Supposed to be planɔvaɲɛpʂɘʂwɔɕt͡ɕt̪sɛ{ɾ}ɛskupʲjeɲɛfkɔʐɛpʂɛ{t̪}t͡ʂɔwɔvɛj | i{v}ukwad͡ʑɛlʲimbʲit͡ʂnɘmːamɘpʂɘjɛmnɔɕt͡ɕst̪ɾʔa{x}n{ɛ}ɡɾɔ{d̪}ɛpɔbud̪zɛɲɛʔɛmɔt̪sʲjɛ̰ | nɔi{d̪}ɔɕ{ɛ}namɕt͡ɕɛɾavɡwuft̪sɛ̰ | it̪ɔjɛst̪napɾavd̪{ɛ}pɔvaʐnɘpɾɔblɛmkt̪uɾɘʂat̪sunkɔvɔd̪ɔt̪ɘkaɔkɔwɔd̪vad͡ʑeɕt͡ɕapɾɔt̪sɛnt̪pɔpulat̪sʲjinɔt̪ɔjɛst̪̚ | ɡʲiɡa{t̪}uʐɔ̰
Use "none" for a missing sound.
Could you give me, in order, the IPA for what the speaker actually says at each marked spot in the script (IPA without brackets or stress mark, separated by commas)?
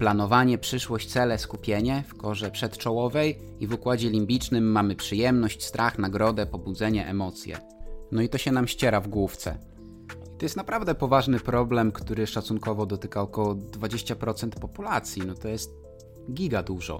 l, t̪, v, x, a, d̪, t̪, ɛ, ɛ, d̪